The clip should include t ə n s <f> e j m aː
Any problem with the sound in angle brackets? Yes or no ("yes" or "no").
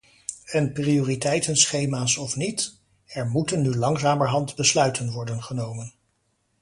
yes